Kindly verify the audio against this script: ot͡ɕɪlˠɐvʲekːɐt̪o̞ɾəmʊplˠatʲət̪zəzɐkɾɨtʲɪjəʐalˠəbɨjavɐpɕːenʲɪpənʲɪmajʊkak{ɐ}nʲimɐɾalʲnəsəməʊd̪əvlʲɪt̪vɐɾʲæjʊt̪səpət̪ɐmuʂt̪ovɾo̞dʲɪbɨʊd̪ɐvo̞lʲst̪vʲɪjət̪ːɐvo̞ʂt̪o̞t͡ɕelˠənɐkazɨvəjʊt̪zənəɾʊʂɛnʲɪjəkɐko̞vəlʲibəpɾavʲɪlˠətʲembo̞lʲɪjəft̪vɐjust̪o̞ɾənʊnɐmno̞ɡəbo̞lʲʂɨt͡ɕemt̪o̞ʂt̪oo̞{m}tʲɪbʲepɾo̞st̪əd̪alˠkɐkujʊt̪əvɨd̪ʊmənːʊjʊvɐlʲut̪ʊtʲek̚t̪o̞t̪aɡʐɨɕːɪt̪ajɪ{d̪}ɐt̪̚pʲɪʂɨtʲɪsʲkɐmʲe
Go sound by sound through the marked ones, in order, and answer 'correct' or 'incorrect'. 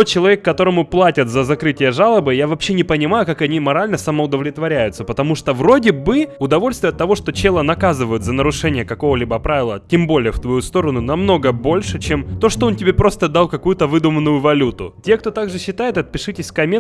correct, incorrect: n, incorrect: t̪

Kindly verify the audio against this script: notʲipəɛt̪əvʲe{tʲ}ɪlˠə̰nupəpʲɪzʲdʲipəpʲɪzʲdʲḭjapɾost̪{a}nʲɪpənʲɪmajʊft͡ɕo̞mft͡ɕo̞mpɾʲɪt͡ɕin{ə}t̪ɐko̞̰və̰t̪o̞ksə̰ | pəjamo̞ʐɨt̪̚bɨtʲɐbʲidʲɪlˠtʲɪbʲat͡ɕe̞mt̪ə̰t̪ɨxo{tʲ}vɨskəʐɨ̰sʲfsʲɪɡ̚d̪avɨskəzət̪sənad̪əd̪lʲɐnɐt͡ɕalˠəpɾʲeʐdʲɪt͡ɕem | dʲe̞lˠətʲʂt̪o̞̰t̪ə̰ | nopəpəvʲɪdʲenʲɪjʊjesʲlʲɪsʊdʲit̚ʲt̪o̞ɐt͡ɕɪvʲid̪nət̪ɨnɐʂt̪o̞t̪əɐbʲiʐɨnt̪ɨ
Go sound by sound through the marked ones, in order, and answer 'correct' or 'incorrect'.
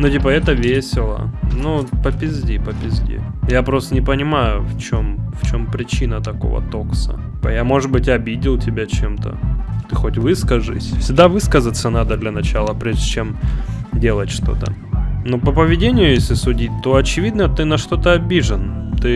incorrect: sʲ, incorrect: ə, correct, correct

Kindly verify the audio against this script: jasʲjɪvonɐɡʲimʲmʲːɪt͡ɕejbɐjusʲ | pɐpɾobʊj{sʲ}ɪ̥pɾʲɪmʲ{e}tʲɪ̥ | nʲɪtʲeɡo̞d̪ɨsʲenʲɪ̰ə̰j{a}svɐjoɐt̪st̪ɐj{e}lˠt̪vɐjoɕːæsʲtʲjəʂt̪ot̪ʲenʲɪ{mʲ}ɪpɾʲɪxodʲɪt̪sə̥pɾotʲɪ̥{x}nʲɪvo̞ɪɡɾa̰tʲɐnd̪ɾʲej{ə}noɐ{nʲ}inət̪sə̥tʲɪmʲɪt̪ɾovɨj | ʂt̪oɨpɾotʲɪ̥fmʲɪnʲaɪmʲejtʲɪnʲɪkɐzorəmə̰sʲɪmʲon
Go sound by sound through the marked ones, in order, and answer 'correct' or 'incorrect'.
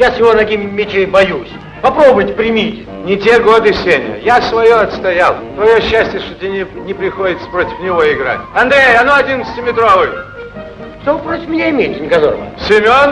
incorrect: tʲ, incorrect: i, correct, incorrect: a, incorrect: nʲ, incorrect: f, incorrect: ɐ, incorrect: dʲ

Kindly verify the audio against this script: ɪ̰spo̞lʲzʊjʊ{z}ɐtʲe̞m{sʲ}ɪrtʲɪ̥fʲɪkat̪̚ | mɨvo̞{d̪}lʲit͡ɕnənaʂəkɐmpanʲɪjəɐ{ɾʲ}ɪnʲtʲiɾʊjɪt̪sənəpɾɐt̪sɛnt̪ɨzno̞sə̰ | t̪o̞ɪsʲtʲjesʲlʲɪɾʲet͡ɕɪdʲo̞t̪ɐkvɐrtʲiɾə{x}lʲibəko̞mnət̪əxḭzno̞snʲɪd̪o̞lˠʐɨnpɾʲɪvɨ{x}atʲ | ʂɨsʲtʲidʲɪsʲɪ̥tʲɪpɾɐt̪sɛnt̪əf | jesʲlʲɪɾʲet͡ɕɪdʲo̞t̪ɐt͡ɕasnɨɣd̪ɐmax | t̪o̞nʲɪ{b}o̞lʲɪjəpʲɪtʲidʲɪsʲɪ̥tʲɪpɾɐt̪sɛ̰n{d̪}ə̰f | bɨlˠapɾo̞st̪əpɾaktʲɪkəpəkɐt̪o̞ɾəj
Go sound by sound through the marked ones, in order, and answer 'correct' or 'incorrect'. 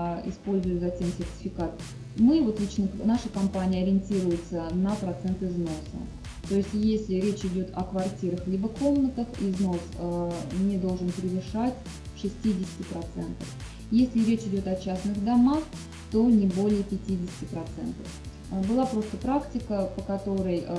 correct, correct, incorrect: t̪, correct, correct, incorrect: ʂ, correct, incorrect: t̪

